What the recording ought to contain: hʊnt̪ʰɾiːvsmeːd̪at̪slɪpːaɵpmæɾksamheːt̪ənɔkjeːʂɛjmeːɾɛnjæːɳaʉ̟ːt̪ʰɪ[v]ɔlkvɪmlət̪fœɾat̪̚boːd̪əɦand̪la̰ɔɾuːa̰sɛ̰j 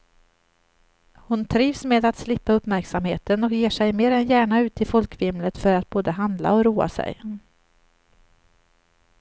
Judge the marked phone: incorrect: f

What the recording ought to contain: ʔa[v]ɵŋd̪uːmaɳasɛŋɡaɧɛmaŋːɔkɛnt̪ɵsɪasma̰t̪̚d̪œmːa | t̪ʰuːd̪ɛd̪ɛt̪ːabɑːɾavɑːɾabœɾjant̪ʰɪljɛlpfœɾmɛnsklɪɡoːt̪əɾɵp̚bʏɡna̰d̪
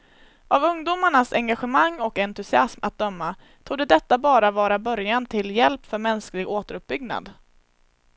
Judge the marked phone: correct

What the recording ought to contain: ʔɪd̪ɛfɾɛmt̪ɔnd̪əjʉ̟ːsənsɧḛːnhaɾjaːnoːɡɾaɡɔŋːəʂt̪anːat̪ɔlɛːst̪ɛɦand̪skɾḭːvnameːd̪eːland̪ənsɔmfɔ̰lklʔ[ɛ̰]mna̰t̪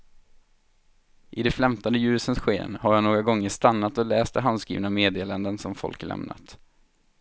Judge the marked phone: correct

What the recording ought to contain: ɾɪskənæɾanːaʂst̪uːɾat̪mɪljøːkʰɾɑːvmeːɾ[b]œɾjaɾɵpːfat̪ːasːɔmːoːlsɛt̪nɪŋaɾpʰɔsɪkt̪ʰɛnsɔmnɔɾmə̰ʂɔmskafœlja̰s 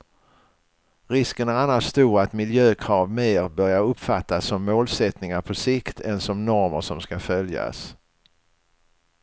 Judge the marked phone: correct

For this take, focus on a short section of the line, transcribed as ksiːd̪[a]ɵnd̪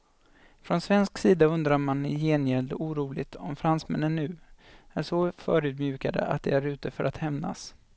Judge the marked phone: correct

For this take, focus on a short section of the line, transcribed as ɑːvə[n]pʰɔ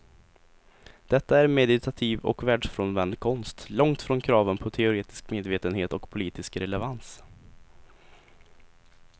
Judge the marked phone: correct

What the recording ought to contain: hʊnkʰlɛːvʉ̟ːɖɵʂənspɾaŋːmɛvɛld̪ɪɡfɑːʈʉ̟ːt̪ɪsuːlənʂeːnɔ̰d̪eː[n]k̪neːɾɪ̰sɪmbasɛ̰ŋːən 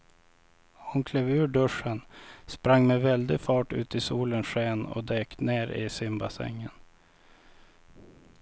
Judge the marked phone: incorrect: none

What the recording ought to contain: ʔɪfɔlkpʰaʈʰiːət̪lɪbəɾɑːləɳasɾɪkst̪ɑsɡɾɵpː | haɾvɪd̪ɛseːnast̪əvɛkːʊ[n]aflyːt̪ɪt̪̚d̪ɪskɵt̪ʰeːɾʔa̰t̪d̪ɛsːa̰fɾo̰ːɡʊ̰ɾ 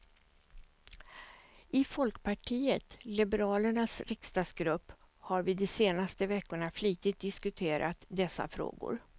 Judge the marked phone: incorrect: ɳ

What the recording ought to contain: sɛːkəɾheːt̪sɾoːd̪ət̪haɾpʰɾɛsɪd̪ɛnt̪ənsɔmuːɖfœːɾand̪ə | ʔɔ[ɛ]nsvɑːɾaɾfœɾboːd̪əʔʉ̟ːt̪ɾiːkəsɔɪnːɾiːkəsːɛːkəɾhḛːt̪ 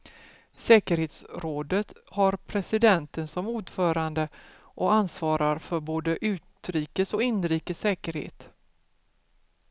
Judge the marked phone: incorrect: a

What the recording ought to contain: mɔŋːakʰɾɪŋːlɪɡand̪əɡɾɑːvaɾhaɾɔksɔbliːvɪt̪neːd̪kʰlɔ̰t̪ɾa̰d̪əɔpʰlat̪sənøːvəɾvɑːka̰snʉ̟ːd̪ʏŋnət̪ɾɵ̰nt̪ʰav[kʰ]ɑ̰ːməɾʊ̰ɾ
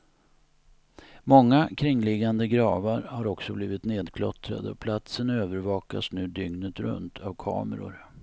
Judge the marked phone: correct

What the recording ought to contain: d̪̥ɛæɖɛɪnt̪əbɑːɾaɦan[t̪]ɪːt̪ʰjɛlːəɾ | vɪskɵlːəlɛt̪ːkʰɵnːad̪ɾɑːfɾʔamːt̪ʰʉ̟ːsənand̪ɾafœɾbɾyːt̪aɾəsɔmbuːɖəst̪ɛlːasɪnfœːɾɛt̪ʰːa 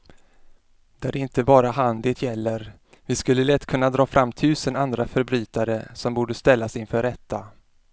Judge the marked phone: incorrect: d̪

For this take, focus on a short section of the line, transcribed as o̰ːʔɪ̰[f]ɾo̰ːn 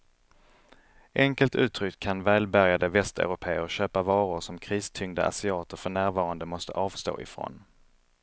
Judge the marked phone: correct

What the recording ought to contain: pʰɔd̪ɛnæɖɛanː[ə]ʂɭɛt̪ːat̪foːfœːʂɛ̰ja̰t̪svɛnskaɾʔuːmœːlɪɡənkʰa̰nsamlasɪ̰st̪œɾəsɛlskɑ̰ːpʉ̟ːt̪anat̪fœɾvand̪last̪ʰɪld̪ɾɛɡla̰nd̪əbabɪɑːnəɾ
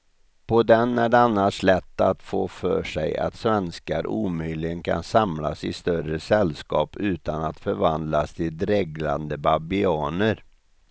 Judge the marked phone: incorrect: a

